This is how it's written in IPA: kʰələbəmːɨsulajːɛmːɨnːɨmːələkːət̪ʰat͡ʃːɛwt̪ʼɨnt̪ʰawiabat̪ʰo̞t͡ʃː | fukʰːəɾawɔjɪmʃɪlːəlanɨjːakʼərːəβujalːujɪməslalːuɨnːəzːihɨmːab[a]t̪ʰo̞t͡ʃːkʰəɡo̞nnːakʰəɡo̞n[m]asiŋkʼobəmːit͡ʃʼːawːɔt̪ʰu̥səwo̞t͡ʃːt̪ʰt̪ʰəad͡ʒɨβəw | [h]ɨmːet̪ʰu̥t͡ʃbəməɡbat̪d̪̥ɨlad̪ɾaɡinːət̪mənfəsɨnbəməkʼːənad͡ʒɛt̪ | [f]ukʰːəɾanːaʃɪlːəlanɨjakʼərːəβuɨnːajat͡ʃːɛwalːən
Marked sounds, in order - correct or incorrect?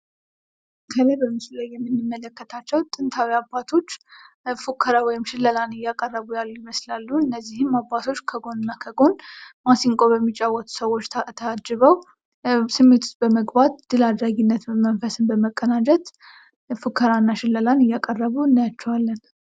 correct, correct, incorrect, correct

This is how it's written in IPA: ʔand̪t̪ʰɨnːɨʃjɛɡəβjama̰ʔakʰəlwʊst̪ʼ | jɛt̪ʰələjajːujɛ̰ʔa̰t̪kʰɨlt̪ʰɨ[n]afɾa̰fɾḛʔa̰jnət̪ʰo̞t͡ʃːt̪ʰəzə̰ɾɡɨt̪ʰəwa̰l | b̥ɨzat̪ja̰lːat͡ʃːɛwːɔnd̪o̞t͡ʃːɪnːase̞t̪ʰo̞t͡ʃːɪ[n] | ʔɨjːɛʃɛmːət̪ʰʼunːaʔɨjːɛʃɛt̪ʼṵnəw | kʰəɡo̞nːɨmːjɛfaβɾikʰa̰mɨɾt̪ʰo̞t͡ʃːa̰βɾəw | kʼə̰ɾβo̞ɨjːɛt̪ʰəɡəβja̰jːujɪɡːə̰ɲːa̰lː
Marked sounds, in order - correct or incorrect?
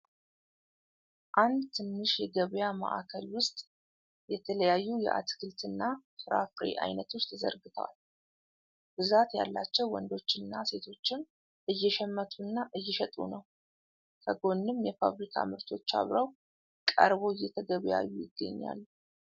incorrect, correct

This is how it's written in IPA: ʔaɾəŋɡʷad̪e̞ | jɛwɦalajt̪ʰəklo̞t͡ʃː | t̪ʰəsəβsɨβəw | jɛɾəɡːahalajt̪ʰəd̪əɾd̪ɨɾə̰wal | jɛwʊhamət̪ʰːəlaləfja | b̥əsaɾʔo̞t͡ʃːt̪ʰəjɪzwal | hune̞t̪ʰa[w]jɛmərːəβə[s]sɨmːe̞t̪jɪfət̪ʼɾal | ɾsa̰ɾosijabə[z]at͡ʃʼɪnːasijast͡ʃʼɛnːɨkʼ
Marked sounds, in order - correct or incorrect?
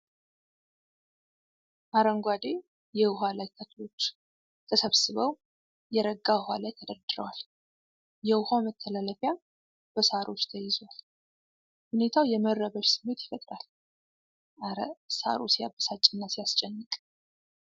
correct, incorrect, incorrect

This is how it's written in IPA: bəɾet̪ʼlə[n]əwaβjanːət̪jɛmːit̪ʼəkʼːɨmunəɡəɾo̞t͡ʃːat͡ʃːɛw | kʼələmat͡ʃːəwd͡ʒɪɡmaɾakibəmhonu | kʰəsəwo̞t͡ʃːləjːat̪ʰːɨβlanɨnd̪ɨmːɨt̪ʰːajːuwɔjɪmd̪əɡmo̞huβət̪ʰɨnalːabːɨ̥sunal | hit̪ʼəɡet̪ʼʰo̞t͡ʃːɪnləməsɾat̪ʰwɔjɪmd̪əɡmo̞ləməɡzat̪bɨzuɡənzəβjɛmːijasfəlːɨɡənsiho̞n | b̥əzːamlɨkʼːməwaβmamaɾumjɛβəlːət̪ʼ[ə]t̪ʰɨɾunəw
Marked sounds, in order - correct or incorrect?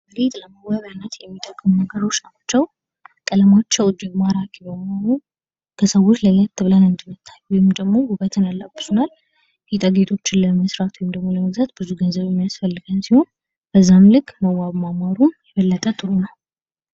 incorrect, correct

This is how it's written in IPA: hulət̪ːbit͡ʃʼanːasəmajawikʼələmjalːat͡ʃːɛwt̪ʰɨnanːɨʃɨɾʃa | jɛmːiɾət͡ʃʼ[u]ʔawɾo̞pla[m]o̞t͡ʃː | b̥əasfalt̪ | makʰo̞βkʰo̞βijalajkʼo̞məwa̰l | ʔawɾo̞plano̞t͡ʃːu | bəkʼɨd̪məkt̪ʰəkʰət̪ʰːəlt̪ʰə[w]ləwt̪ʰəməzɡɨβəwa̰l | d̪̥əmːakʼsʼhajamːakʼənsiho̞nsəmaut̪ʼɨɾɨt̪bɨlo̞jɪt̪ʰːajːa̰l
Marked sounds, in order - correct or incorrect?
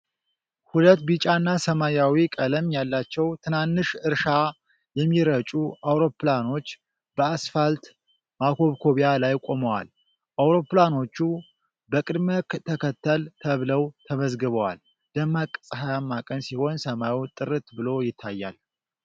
correct, incorrect, incorrect

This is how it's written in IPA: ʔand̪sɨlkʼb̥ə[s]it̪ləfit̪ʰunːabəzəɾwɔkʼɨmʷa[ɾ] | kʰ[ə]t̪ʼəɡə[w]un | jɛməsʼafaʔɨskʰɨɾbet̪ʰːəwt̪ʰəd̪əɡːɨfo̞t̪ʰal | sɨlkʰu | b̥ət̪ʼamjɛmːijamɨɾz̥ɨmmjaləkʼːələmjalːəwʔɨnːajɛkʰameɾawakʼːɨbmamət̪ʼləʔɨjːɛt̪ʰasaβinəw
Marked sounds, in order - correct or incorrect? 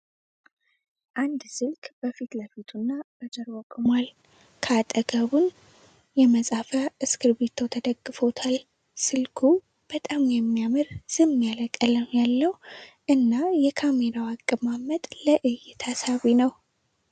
incorrect, incorrect, incorrect, incorrect

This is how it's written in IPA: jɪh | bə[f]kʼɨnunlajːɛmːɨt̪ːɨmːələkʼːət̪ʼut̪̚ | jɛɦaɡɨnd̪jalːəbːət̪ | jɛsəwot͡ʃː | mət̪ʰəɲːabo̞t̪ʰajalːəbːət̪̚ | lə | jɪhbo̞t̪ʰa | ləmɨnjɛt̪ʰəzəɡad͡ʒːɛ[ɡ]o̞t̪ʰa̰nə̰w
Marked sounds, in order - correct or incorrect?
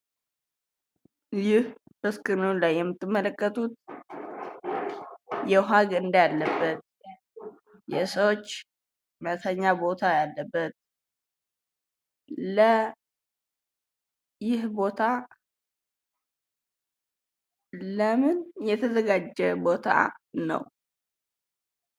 incorrect, incorrect

